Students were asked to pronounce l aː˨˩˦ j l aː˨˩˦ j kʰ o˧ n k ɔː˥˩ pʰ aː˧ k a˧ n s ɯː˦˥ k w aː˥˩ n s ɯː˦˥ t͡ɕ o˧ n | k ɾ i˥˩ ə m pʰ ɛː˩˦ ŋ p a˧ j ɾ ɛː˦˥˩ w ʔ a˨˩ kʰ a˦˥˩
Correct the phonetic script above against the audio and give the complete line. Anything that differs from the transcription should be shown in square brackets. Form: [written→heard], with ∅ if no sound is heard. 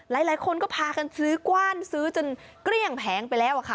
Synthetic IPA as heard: l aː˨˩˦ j l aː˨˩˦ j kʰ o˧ n k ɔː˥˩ pʰ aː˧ k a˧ n s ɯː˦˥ k w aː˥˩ n s ɯː˦˥ t͡ɕ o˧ n | k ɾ i˥˩ ə [m→ŋ] pʰ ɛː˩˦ ŋ p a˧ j [ɾ→l] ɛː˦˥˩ w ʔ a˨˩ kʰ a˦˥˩